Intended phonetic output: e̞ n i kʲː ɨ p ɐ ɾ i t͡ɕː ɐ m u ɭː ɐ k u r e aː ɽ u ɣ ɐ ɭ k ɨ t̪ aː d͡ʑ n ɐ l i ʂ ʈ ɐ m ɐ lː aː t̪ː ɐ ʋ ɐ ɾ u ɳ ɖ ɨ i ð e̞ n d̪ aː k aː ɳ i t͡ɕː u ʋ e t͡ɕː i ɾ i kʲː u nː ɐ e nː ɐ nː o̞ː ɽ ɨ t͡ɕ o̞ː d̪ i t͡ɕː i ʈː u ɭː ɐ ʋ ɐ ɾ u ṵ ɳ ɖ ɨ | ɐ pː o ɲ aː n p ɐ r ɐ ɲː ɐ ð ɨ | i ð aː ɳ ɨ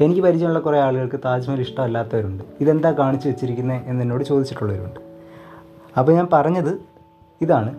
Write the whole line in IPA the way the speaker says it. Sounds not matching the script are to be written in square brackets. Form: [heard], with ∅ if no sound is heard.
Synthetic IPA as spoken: e̞ n i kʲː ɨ p ɐ ɾ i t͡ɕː ɐ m u ɭː ɐ k u r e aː [ɭ] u ɣ ɐ ɭ k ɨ t̪ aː d͡ʑ [m] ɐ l i ʂ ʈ ɐ m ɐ lː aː t̪ː ɐ ʋ ɐ ɾ u ɳ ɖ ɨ i ð e̞ n d̪ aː k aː ɳ i t͡ɕː u ʋ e t͡ɕː i ɾ i kʲː u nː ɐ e nː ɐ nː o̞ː ɽ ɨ t͡ɕ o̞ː d̪ i t͡ɕː i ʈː u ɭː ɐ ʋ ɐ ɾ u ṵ ɳ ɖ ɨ | ɐ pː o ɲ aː n p ɐ r ɐ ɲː ɐ ð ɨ | i ð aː ɳ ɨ